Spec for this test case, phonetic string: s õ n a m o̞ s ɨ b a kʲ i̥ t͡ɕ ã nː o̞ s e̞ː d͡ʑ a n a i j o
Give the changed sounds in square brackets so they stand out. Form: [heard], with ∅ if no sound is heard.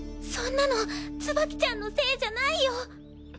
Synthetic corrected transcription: s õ [nː] a [n] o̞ [t͡s] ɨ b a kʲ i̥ t͡ɕ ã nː o̞ s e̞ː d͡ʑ a n a i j o